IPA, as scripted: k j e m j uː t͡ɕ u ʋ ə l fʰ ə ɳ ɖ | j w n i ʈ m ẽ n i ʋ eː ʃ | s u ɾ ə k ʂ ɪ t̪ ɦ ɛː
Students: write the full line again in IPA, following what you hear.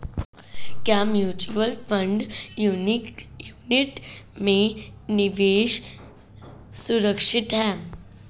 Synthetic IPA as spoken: k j a m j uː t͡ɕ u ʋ ə l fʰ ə ɳ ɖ | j u n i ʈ m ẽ n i ʋ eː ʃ | s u ɾ ə k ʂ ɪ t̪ ɦ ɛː